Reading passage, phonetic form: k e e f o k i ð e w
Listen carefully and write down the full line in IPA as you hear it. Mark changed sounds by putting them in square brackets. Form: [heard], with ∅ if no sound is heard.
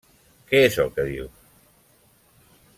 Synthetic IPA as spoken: k e e [s] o k [e] ð [i] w